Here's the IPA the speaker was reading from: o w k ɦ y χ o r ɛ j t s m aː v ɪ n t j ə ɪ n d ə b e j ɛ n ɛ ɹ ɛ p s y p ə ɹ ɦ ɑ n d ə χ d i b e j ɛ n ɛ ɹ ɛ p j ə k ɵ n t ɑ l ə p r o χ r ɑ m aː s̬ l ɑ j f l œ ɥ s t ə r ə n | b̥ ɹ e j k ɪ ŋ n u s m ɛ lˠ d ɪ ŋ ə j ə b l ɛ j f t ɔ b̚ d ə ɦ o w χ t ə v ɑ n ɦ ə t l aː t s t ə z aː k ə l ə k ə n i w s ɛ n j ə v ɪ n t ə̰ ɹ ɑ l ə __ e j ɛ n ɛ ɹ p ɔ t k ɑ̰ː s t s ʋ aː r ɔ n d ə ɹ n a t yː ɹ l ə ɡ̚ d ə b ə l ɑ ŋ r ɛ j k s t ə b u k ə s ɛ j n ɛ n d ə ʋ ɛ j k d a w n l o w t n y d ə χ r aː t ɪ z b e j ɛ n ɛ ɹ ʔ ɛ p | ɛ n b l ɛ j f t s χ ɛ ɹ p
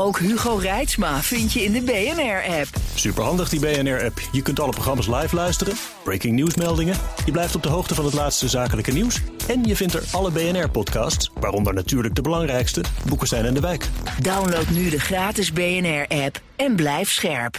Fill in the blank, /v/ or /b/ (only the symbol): b